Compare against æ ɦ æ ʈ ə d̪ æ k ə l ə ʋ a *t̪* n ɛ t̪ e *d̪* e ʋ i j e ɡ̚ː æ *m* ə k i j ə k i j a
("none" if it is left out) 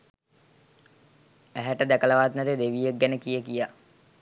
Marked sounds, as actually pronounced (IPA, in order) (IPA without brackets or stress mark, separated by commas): t̪, d̪, n